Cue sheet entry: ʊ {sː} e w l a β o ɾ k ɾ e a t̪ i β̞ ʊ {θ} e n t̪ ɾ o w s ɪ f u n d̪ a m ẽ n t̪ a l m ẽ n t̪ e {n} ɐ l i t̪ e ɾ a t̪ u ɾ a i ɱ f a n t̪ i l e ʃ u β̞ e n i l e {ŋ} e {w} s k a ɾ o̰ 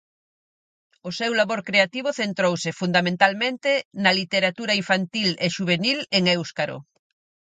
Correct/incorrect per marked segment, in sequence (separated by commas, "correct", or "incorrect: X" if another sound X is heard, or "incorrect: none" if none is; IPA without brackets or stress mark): incorrect: s, correct, correct, correct, correct